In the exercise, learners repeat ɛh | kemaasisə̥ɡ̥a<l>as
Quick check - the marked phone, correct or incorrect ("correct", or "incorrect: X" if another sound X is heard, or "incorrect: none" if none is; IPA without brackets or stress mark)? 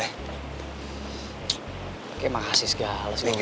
correct